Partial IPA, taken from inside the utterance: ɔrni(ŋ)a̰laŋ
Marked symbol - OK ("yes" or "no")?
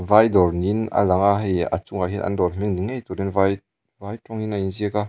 no